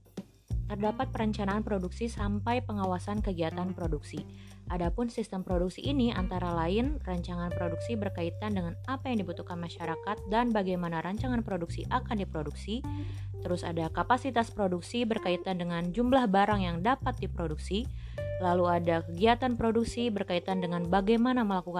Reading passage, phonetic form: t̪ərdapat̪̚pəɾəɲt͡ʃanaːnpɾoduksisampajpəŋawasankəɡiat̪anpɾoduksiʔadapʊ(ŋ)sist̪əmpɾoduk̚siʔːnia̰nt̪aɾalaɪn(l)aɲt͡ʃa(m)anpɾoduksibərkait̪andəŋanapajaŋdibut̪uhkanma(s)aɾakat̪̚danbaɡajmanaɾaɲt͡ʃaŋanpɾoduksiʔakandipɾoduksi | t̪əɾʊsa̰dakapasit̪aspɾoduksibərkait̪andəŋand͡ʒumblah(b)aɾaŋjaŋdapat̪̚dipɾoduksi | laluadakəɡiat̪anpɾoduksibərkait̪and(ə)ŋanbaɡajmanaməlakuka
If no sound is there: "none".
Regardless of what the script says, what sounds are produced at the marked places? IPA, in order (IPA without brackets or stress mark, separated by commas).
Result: n, r, ŋ, ʃ, b, ə